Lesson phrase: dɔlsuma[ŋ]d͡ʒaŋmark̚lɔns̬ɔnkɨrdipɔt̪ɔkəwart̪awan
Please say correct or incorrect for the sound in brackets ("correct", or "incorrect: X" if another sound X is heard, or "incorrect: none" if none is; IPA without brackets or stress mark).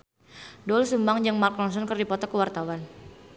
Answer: correct